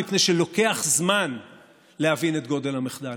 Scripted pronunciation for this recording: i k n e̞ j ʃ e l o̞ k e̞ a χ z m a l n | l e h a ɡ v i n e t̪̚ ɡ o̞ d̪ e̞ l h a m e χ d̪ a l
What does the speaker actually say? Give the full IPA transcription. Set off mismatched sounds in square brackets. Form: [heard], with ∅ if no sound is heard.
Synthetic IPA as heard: i [p] n e̞ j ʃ e l o̞ k e̞ a χ z m a [∅] n | l e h a [∅] v i n e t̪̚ ɡ o̞ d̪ e̞ l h a m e χ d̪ a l